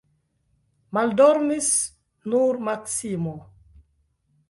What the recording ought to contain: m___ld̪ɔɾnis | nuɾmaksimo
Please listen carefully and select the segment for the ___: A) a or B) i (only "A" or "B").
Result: A